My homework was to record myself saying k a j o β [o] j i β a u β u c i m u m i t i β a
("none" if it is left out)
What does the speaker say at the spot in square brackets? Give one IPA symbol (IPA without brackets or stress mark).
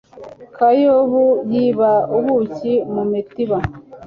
u